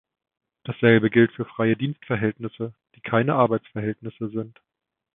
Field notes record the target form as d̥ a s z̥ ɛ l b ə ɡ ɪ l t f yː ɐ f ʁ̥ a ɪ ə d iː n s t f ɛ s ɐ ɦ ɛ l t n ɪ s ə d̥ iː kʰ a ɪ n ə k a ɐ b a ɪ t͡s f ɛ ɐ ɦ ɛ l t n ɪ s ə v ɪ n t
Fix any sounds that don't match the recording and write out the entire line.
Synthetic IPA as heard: d̥ a s z̥ ɛ l b ə ɡ ɪ l t f yː ɐ f ʁ̥ a ɪ ə d iː n s t f ɛ ɐ ɦ ɛ l t n ɪ s ə d̥ iː kʰ a ɪ n ə ʔ a ɐ b a ɪ t͡s f ɛ ɐ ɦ ɛ l t n ɪ s ə z ɪ n t